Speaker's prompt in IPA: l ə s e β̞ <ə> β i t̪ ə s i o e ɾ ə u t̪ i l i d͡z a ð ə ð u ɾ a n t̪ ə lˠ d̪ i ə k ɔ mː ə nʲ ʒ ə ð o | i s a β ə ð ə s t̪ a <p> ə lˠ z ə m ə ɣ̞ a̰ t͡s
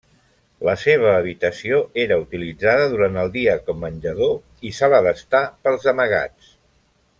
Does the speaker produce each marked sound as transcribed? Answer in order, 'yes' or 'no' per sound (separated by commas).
no, yes